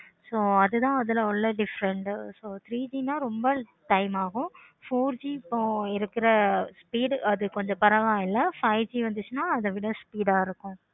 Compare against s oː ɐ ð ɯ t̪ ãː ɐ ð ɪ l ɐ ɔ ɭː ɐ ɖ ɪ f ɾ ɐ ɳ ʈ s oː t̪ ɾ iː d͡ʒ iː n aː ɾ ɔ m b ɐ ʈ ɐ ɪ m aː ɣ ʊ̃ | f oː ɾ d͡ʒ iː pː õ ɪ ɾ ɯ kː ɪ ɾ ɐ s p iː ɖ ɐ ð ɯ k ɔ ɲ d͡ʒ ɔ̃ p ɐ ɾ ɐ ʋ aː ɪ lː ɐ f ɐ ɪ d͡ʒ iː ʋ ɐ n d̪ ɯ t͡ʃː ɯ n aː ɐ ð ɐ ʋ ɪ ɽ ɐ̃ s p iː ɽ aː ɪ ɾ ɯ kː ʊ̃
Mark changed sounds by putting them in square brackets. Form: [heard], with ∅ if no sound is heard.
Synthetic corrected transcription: s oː ɐ ð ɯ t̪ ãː ɐ ð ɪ l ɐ ɔ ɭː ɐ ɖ ɪ f ɾ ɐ ɳ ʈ s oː t̪ ɾ iː d͡ʒ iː n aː ɾ ɔ m b ɐ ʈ ɐ ɪ m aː ɣ ʊ̃ | f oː ɾ d͡ʒ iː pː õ ɪ ɾ ɯ kː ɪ ɾ ɐ s p iː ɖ ɐ ð ɯ k ɔ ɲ d͡ʒ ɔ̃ p ɐ ɾ ɐ ʋ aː ɪ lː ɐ f ɐ ɪ d͡ʒ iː ʋ ɐ n d̪ ɯ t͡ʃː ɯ n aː ɐ ð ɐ ʋ ɪ ɽ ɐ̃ s p iː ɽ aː ɪ ɾ ɯ kː ʊ̃